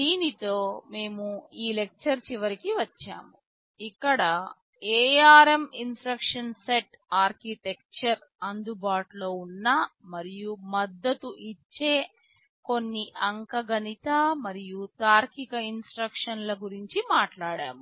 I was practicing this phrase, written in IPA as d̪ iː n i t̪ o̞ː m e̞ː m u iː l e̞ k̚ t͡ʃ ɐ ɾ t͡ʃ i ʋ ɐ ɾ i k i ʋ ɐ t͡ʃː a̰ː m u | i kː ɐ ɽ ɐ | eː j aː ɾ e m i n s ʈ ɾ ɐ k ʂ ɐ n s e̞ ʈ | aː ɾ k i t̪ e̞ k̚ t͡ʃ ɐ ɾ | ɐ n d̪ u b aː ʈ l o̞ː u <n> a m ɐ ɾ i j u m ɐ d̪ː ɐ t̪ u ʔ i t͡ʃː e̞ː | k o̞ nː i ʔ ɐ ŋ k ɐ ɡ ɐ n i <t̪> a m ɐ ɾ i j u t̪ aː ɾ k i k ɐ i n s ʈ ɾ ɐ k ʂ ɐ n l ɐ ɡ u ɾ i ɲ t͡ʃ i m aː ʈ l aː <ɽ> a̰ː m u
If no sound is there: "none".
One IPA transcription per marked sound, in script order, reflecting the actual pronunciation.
nː, t̪, ɽ

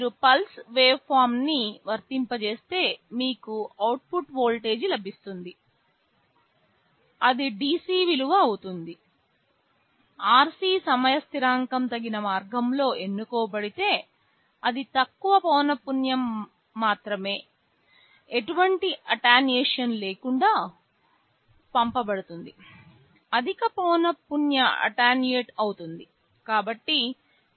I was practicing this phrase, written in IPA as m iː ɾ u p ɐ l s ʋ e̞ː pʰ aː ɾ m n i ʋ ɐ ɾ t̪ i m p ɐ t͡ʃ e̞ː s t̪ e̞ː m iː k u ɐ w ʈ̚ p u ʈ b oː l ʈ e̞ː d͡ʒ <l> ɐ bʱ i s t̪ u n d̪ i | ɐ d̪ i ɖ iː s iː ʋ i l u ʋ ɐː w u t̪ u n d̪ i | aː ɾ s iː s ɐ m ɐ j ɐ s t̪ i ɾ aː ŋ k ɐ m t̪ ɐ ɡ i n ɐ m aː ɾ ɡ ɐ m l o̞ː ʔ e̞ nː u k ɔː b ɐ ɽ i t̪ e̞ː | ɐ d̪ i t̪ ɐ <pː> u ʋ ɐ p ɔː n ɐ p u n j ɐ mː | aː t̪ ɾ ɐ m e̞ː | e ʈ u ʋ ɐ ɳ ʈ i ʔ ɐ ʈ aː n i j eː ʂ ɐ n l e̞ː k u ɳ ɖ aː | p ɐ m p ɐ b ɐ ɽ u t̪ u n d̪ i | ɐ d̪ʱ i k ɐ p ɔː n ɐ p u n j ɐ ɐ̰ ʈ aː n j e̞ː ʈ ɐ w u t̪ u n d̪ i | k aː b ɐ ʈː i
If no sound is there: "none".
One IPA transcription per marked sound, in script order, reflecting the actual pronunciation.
l, kː

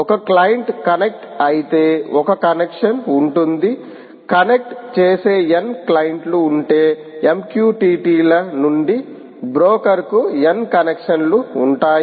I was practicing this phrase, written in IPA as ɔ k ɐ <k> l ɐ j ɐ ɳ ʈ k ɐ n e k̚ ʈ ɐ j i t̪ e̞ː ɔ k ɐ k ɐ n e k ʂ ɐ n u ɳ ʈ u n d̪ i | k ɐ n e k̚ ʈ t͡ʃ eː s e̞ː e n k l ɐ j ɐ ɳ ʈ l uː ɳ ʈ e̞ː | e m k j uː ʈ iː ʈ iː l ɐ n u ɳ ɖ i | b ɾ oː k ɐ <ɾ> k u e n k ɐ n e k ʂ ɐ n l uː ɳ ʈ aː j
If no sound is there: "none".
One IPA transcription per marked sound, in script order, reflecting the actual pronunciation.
k, ɾ

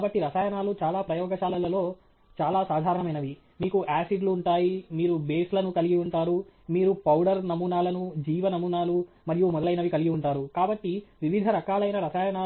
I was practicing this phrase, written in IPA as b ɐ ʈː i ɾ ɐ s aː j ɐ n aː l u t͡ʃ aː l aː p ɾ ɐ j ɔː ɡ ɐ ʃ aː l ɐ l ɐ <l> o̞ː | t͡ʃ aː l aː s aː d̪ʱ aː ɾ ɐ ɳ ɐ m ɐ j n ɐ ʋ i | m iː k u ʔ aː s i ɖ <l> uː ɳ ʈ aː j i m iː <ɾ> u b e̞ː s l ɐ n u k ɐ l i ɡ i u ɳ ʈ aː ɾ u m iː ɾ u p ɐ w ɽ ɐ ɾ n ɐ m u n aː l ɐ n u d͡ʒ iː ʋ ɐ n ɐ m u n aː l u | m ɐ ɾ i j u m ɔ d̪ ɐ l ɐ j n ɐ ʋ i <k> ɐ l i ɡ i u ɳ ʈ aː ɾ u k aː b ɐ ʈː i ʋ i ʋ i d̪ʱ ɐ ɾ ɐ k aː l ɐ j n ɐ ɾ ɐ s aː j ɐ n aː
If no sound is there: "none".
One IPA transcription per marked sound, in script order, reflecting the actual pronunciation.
l, l, ɾ, k

